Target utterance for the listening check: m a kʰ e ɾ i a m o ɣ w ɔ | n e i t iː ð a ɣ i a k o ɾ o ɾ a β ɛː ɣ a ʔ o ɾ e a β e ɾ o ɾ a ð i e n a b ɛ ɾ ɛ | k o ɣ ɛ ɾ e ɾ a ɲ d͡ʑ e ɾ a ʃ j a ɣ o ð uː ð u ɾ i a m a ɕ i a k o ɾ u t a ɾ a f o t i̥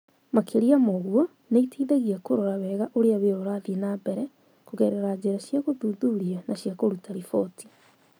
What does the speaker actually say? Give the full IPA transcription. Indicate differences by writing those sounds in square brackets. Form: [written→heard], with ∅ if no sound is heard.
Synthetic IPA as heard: m a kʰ e ɾ i a m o ɣ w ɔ | n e i t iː ð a ɣ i a k o ɾ o ɾ a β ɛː ɣ a ʔ o ɾ e a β e ɾ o ɾ a ð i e n a b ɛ ɾ ɛ | k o ɣ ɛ ɾ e ɾ a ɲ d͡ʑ e ɾ a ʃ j a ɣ o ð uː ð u ɾ i a [m→n] a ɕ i a k o ɾ u t a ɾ [a→i] f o t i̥

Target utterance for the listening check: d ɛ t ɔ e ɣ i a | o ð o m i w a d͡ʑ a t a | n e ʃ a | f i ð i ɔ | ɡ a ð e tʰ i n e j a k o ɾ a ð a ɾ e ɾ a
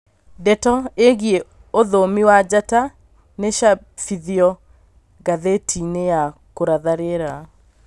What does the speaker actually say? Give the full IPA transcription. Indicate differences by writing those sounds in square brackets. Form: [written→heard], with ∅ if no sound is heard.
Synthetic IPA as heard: d ɛ t ɔ e ɣ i [a→e] | o ð o m i w a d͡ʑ a t a | n e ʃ a | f i ð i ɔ | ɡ a ð e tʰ i n e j a k o ɾ a ð a ɾ e ɾ a

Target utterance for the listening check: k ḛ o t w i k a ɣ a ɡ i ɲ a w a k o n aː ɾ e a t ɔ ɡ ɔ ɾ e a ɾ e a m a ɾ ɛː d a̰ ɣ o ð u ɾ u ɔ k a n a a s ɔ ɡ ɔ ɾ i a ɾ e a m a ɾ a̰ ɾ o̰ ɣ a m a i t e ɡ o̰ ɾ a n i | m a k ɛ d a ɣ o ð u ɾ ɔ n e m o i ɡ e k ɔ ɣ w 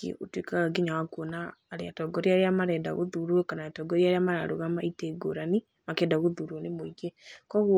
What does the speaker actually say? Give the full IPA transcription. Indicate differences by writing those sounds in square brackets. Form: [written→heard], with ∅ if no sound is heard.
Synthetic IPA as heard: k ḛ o t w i k a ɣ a ɡ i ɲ a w a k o n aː ɾ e a t ɔ ɡ ɔ ɾ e a ɾ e a m a ɾ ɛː d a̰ ɣ o ð u ɾ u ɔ k a n a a [s→t] ɔ ɡ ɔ ɾ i a ɾ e a m a ɾ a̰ ɾ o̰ ɣ a m a i t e ɡ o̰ ɾ a n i | m a k ɛ d a ɣ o ð u ɾ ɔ n e m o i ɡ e k ɔ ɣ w

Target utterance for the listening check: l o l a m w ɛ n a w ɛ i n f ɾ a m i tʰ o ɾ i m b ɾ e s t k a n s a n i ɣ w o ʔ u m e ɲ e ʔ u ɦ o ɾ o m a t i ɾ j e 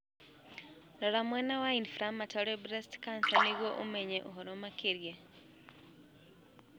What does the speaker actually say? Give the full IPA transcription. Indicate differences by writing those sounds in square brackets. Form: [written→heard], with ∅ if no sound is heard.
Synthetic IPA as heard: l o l a m w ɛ n a w [ɛ→a] i n f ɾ a m [i→a] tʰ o ɾ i [m→∅] b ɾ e s t k a n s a n i ɣ w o ʔ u m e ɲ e ʔ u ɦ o ɾ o m a [t→k] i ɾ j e

